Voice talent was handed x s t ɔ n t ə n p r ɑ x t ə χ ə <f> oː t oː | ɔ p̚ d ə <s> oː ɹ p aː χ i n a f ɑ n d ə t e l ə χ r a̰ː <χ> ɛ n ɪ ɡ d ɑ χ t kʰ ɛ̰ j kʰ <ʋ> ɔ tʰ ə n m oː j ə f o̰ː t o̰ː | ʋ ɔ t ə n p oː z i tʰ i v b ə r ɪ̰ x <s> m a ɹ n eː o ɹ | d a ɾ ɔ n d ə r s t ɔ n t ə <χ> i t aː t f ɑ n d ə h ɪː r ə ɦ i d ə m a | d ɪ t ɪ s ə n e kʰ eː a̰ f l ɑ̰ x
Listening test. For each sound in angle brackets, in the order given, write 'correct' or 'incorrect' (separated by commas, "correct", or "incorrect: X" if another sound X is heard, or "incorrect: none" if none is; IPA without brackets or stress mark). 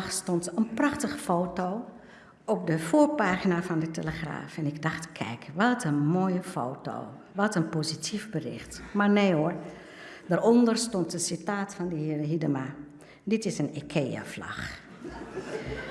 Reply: correct, incorrect: f, incorrect: f, correct, incorrect: t, incorrect: s